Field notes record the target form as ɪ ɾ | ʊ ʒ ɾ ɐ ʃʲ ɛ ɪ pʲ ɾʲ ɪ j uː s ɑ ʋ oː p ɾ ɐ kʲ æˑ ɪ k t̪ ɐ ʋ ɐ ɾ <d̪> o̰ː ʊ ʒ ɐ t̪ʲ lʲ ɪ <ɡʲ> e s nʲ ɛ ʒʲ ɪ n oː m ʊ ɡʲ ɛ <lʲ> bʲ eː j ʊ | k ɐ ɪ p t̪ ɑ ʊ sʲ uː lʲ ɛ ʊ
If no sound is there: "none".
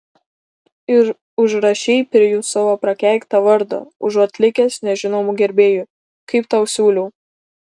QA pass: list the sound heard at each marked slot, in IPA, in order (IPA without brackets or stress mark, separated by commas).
d̪, kʲ, ɾʲ